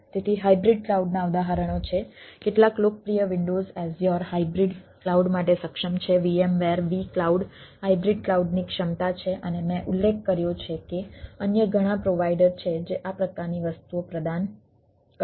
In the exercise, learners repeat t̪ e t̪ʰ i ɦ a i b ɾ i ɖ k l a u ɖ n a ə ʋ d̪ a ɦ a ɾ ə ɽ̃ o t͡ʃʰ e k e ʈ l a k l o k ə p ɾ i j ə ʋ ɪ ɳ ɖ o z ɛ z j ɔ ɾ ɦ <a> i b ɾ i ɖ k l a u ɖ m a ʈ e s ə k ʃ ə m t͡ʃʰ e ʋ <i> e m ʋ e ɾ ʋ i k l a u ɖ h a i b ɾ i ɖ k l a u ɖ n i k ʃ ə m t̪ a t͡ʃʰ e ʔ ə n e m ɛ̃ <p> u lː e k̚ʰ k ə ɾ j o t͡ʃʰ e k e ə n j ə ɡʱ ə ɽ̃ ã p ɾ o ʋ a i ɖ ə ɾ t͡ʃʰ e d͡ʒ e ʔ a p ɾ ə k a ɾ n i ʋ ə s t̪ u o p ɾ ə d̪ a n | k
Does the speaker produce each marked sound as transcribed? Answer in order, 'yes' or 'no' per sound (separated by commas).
yes, yes, no